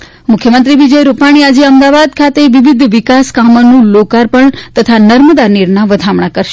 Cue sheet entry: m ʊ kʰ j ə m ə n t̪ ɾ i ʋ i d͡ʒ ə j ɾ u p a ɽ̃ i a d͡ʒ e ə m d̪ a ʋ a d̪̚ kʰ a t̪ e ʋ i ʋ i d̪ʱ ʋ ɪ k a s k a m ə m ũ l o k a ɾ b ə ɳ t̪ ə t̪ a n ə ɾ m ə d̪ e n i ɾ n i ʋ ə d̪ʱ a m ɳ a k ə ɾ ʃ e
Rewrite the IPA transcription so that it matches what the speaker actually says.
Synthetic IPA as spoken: m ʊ kʰ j ə m ə n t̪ ɾ i ʋ i d͡ʒ ə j ɾ u p a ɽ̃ i a d͡ʒ e ə m d̪ a ʋ a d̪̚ kʰ a t̪ e ʋ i ʋ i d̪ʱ ʋ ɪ k a s k a m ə n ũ l o k a ɾ p ə ɳ t̪ ə t̪ʰ a n ə ɾ m ə d̪ a n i ɾ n a ʋ ə d̪ʱ a m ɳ a k ə ɾ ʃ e